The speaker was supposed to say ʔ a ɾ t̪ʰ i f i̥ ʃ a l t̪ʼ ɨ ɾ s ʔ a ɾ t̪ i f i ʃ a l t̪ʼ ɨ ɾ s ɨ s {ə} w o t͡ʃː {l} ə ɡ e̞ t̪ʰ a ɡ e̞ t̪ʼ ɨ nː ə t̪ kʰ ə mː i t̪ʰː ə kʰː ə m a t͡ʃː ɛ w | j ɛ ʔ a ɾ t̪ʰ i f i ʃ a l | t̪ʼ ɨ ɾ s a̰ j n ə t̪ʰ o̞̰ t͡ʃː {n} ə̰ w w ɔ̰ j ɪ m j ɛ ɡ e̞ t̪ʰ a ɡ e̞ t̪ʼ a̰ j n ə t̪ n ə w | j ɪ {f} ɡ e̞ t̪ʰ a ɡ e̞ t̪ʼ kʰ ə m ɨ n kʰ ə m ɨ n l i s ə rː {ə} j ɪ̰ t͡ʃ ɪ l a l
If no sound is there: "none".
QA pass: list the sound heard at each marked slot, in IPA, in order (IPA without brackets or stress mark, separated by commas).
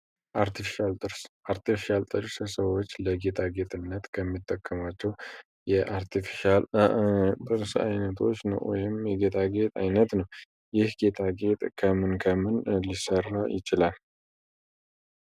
ə, l, n, h, a